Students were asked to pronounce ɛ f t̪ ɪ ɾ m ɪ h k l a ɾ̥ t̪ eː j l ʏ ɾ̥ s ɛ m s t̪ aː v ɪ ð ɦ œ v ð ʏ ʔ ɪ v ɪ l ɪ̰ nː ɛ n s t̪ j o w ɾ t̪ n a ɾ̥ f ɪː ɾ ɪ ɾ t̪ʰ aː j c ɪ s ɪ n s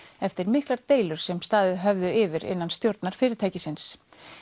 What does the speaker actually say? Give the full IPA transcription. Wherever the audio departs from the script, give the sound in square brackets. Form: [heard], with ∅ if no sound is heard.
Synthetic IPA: ɛ f t̪ ɪ ɾ m ɪ h k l a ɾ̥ t̪ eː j l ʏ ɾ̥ s ɛ m s t̪ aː [ð] ɪ ð ɦ œ v ð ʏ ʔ ɪ v ɪ [ɾ] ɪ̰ nː [a] n s t̪ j o w ɾ t̪ n a ɾ̥ f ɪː ɾ ɪ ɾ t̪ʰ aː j c ɪ s ɪ n s